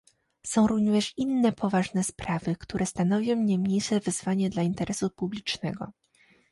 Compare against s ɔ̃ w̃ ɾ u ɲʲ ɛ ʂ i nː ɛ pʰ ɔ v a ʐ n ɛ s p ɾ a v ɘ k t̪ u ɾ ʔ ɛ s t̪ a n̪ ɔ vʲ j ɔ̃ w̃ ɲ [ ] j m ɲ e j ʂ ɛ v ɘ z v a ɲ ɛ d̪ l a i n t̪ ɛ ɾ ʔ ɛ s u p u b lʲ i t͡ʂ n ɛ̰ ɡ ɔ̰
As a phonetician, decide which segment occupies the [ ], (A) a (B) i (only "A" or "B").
A